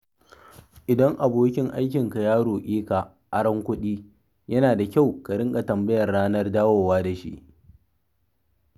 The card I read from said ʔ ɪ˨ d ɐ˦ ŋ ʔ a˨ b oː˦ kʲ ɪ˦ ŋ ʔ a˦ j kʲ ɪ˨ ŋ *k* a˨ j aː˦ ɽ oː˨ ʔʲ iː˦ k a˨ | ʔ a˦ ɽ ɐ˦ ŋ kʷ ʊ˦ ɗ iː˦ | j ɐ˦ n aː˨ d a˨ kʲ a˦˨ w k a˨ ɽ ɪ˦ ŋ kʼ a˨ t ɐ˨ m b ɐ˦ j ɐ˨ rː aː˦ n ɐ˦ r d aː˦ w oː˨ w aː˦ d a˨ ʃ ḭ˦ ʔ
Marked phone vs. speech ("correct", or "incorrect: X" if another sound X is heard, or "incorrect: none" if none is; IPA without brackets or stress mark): correct